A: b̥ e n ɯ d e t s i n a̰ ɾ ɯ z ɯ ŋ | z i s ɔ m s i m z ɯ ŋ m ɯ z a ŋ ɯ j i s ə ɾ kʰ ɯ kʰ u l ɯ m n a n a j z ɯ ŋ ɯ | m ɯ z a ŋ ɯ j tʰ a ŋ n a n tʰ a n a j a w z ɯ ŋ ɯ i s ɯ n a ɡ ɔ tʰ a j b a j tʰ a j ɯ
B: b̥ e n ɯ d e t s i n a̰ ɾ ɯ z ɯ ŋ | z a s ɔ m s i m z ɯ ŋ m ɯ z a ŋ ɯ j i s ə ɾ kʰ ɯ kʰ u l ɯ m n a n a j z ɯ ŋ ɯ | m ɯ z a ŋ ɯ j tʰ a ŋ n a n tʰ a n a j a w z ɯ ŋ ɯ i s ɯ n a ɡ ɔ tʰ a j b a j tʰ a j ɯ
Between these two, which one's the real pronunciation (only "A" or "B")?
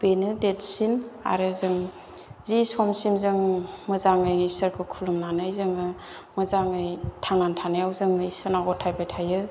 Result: A